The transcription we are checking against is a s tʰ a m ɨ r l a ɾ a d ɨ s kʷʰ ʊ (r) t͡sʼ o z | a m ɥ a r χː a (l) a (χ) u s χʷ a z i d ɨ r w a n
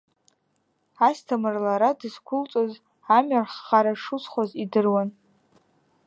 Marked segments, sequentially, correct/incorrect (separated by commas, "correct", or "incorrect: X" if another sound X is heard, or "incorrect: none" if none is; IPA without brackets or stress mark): incorrect: l, incorrect: ɾ, incorrect: ʂ